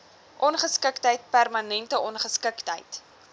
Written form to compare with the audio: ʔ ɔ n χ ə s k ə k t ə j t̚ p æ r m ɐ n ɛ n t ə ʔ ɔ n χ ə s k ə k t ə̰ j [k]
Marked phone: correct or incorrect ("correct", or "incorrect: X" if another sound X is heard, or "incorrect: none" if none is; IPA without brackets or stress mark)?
incorrect: t